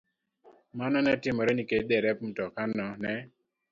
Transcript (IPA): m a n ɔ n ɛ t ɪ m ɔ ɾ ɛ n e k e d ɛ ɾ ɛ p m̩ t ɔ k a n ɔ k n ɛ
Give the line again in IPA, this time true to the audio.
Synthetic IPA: m a n ɔ n ɛ t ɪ m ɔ ɾ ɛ n i k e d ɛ ɾ ɛ p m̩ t ɔ k a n ɔ n ɛ